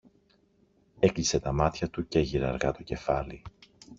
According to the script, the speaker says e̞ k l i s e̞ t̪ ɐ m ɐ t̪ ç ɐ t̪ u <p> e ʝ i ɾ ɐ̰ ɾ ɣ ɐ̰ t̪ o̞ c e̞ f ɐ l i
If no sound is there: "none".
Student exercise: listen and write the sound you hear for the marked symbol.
c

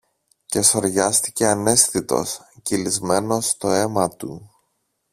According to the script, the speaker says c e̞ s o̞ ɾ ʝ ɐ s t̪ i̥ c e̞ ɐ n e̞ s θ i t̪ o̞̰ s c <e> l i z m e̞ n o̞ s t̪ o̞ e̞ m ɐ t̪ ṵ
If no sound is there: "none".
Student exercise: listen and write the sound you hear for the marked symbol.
i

